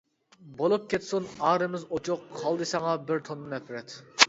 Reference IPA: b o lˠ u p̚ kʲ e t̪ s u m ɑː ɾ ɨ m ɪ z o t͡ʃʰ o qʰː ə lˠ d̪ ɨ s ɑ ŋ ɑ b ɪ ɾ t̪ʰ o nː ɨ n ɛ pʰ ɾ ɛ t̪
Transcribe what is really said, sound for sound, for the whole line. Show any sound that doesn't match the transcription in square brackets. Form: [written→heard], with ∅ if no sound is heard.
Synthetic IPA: b o lˠ u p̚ kʲ e t̪ s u [m→n] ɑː ɾ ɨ m ɪ z o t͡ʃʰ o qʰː [ə→ɑ] lˠ d̪ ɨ s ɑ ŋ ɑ b ɪ ɾ t̪ʰ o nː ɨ n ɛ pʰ ɾ ɛ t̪